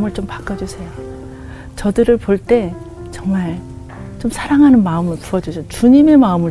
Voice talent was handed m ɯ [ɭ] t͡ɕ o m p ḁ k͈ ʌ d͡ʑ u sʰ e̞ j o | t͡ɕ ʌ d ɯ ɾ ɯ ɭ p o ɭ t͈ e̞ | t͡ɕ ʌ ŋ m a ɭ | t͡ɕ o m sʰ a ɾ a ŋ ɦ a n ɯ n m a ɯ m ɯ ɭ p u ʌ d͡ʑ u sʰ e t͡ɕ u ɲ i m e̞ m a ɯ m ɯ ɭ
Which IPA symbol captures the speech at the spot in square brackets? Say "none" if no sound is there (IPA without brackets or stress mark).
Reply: ɭ